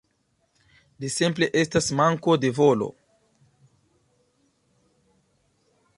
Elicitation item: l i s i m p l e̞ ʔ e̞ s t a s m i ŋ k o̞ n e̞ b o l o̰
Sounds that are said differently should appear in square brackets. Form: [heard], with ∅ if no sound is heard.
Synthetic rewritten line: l i s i m p l e̞ ʔ e̞ s t a s m [a] ŋ k o̞ [d] e̞ [v] o l o̰

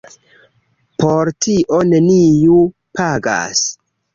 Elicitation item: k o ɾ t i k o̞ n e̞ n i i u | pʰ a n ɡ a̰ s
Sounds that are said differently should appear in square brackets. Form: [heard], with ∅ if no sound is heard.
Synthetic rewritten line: [p] o ɾ t i [ʔ] o̞ n e̞ n i [j] u | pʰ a [∅] ɡ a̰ s

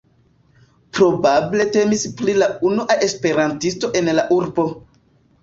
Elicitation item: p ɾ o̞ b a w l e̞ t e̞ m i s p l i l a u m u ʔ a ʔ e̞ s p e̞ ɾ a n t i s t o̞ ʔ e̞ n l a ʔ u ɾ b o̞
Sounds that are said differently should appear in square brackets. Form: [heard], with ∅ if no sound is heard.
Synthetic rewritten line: p ɾ o̞ b a [b] l e̞ t e̞ m i s p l i l a u [n] u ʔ a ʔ e̞ s p e̞ ɾ a n t i s t o̞ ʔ e̞ n l a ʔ u ɾ b o̞

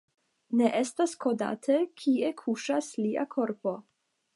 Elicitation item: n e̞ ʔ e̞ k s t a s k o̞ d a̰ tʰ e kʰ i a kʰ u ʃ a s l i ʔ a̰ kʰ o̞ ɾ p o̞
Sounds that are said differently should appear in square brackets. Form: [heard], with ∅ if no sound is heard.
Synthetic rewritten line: n e̞ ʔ e̞ [∅] s t a s k o̞ d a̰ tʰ e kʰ i [e] kʰ u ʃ a s l i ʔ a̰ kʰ o̞ ɾ p o̞

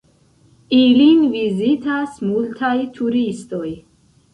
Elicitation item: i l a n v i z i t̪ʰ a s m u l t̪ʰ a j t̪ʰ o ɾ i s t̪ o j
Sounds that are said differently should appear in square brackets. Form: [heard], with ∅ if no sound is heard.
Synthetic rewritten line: i l [i] n v i z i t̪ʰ a s m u l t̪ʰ a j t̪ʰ [u] ɾ i s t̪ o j

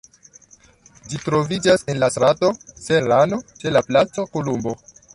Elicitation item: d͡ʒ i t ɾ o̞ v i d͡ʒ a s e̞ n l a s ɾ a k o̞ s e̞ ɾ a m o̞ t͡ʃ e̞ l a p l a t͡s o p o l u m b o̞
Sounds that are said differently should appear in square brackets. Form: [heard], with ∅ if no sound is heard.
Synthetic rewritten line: d͡ʒ i t ɾ o̞ v i d͡ʒ a s e̞ n l a s ɾ a [t] o̞ s e̞ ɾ a [n] o̞ t͡ʃ e̞ l a p l a t͡s o [k] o l u m b o̞

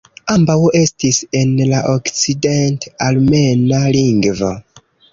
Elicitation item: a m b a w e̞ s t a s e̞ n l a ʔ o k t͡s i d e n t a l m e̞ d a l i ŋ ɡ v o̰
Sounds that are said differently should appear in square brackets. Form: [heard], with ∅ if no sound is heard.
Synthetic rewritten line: a m b a w e̞ s t [i] s e̞ n l a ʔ o k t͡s i d e n t a l m e̞ [n] a l i ŋ ɡ v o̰

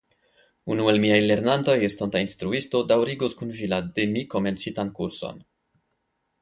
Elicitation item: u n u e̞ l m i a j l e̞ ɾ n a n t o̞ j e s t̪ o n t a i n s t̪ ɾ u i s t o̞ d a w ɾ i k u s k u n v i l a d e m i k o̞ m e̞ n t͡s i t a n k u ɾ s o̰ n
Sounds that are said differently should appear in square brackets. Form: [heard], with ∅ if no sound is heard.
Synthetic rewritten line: u n u e̞ l m i a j l e̞ ɾ n a n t o̞ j e s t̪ o n t a i n s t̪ ɾ u i s t o̞ d a w ɾ i [ɡ] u s k u n v i l a d e m i k o̞ m e̞ n t͡s i t a n k u ɾ s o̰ n

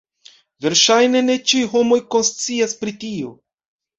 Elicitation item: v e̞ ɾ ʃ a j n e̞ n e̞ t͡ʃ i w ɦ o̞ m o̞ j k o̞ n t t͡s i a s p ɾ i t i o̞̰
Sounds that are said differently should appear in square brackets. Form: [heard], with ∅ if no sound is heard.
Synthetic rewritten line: v e̞ ɾ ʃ a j n e̞ n e̞ t͡ʃ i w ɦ o̞ m o̞ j k o̞ n [s] t͡s i a s p ɾ i t i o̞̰

